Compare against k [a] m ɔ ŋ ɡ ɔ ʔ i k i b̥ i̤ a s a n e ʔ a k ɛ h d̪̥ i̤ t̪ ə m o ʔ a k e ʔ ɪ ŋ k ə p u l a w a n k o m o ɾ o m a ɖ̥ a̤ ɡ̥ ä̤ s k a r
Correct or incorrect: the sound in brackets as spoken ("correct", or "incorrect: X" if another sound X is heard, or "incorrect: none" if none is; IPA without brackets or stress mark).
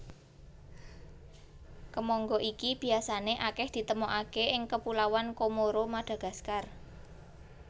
incorrect: ə